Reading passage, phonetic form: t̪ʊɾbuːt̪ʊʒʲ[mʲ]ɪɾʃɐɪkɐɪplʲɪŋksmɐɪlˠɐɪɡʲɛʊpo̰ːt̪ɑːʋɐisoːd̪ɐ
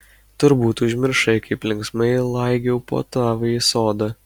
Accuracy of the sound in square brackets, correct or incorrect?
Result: correct